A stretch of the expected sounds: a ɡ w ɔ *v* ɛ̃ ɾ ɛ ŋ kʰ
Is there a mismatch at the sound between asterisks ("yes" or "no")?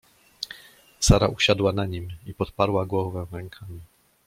no